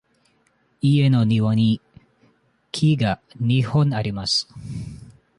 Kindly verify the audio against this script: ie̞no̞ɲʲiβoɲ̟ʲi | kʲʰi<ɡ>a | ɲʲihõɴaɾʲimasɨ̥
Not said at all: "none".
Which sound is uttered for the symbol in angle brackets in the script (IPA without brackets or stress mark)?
ɡ